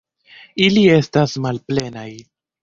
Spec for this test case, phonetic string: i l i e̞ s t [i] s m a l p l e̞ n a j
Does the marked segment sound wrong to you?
yes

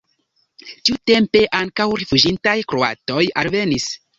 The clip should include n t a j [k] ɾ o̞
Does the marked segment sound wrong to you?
no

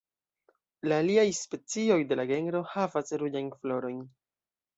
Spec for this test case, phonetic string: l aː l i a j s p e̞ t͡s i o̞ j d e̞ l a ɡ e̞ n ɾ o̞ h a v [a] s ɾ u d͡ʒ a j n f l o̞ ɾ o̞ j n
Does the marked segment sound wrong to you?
no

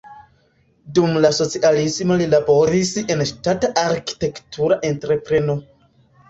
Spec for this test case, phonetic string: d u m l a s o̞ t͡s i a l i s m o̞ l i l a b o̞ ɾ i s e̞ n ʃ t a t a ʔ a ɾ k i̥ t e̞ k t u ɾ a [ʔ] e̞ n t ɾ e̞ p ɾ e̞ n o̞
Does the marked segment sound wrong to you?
no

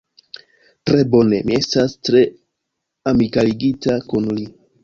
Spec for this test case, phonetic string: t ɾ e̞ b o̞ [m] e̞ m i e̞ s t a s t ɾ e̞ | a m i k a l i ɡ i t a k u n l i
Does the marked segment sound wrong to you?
yes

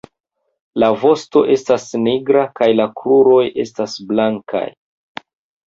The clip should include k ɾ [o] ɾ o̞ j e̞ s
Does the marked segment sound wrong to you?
yes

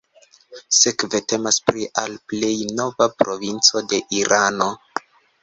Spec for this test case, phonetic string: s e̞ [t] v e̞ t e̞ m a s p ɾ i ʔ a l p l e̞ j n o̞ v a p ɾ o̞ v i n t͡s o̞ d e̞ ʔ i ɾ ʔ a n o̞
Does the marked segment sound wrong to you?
yes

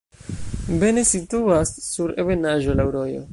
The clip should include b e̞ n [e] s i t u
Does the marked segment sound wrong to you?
no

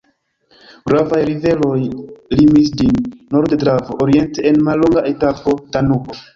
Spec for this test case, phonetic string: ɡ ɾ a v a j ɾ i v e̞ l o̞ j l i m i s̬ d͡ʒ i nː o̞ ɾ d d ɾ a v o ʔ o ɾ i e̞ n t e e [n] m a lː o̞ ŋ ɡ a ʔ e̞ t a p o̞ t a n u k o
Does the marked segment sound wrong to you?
no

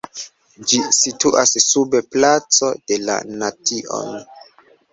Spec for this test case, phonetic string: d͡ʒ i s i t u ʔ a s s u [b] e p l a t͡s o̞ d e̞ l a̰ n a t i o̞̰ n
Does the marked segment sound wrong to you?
no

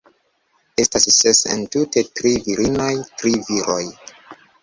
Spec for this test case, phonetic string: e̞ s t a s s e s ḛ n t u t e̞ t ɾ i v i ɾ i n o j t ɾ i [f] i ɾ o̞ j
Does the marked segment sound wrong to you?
yes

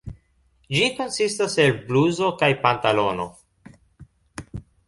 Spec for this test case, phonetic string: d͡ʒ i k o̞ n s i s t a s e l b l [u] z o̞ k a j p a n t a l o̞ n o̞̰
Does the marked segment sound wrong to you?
no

